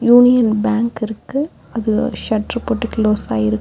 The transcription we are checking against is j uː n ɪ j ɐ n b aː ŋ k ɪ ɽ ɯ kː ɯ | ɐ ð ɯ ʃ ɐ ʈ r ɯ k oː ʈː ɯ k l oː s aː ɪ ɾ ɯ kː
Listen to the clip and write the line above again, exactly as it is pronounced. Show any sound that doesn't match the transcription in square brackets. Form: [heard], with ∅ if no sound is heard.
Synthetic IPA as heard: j uː n ɪ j ɐ n b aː ŋ k ɪ [ɾ] ɯ kː ɯ | ɐ ð ɯ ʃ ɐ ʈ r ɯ [p] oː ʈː ɯ k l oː s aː ɪ ɾ ɯ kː